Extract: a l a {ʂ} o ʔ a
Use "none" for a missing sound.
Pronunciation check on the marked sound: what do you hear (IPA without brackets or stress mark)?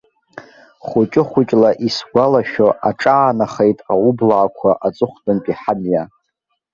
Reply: ʃ